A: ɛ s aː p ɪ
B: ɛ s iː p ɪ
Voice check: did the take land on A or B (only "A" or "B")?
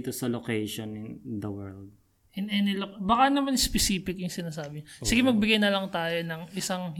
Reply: B